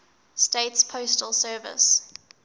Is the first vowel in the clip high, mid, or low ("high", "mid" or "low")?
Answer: mid